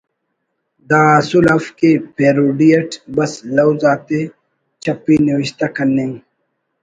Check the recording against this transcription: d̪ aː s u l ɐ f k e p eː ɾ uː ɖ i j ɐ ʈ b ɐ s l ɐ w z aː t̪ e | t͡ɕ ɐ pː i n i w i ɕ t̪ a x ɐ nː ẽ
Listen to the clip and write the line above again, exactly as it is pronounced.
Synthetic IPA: d̪ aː s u l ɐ f k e p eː ɾ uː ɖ i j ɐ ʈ b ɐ s l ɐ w z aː t̪ e | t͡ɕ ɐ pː i n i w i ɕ t̪ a k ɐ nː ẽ